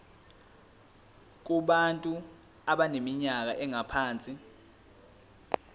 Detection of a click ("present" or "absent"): absent